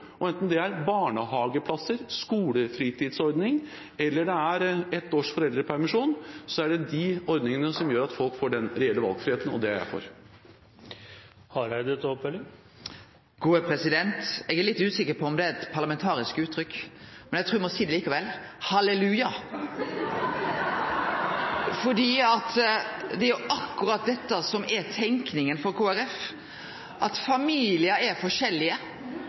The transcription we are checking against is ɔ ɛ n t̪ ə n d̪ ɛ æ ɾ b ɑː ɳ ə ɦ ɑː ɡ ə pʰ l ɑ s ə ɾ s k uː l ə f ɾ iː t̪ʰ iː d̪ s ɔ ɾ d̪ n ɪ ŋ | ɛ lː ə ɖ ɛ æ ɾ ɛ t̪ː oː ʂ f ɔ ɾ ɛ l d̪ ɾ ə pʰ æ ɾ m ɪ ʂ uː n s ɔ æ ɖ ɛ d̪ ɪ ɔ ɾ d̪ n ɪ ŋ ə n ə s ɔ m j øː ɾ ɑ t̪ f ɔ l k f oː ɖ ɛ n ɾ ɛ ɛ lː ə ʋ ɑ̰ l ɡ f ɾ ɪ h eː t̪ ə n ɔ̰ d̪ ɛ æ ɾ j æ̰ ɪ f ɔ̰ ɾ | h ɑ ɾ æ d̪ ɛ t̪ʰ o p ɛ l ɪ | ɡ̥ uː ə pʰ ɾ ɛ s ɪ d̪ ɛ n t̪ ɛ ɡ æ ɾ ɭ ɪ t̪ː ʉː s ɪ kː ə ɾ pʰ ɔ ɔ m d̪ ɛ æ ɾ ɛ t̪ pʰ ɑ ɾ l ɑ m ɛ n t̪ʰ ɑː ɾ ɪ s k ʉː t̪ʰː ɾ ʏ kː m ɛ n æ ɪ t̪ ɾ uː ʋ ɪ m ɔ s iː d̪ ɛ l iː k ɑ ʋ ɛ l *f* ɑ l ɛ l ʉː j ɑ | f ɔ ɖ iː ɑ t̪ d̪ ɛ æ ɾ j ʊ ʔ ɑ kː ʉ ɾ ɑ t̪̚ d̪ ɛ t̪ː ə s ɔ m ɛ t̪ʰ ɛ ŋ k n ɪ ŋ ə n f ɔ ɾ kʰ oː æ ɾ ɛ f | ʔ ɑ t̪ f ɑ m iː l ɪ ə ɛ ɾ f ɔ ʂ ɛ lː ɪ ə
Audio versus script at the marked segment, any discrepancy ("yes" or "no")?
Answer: yes